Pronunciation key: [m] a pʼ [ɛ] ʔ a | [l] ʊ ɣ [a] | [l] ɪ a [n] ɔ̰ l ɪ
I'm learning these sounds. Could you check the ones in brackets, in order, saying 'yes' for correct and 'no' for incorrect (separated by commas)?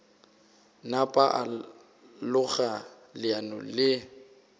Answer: no, no, yes, yes, yes, yes